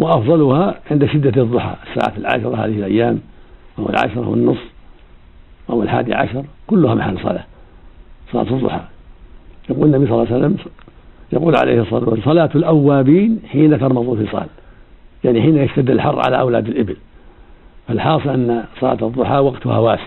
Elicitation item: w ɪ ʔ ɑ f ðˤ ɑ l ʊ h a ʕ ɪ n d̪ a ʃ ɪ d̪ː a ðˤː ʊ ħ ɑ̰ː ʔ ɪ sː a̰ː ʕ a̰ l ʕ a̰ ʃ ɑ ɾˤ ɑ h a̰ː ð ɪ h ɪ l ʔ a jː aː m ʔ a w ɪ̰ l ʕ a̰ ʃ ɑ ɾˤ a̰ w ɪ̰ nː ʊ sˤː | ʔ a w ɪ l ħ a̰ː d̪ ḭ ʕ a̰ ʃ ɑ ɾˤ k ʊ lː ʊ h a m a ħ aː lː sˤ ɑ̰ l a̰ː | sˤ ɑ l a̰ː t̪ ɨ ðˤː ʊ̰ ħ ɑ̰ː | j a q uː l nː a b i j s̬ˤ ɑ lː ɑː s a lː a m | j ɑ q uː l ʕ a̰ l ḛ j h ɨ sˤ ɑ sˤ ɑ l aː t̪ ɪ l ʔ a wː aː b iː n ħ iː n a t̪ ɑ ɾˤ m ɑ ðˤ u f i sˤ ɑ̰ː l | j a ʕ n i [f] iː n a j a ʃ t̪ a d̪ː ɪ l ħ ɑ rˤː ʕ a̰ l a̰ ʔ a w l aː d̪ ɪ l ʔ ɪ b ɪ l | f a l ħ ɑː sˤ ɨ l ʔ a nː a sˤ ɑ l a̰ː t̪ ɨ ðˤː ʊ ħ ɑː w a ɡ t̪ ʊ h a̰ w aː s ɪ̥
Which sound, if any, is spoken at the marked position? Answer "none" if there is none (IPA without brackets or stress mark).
ħ